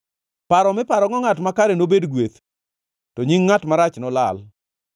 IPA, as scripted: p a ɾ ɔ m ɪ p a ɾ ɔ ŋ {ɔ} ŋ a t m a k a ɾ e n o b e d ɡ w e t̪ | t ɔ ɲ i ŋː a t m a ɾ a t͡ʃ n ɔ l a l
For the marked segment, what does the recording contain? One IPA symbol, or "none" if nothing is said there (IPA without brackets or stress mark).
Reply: ɔ